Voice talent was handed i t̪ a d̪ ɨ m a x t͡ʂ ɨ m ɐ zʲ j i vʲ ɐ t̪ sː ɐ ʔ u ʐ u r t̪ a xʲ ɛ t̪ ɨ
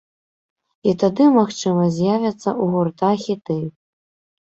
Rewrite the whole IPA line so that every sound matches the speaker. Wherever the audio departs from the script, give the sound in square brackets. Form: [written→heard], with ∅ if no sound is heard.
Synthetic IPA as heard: i t̪ a d̪ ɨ m a x t͡ʂ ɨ m ɐ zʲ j [i→a] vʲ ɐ t̪ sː ɐ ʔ u [ʐ→ɣ] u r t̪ a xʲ [ɛ→i] t̪ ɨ